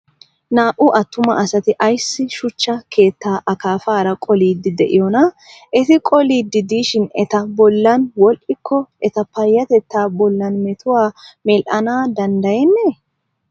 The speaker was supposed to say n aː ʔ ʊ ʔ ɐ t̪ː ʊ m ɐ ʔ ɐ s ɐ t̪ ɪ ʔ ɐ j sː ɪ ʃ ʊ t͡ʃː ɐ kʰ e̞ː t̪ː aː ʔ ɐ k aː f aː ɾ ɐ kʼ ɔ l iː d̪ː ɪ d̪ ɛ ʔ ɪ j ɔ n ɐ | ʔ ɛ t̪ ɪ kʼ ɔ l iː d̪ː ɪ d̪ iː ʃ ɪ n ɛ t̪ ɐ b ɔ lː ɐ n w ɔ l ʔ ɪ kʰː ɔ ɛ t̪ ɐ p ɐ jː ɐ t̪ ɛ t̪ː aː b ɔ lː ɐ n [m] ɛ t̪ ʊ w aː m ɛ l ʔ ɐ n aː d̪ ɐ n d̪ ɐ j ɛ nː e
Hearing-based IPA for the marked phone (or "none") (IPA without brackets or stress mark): m